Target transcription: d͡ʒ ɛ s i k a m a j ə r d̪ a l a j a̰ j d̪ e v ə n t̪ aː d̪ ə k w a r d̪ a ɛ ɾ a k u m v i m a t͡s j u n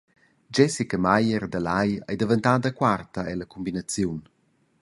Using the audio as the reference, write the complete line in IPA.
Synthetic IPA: d͡ʒ ɛ s i k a m a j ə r d̪ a l a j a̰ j d̪ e v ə n t̪ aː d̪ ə k w a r t̪ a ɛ l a k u m b i n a t͡s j u n